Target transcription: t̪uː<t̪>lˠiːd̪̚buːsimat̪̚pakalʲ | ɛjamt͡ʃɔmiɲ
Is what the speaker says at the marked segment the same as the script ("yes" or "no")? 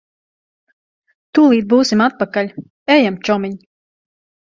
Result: no